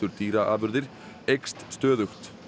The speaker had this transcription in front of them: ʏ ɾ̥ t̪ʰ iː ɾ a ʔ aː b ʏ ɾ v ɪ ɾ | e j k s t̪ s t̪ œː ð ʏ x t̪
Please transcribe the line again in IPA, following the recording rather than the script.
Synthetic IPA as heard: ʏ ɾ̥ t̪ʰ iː ɾ a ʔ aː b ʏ ɾ ð ɪ ɾ | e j k s t̪ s t̪ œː ð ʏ x t̪